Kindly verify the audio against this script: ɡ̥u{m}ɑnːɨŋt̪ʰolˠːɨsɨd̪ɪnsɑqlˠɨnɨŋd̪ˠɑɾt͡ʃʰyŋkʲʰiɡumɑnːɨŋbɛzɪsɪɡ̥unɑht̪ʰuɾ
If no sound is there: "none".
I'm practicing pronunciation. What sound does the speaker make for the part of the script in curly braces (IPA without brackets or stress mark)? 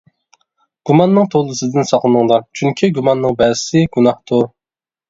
m